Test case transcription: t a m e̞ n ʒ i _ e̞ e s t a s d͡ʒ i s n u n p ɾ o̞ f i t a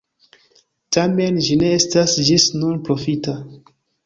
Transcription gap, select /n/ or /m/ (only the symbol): n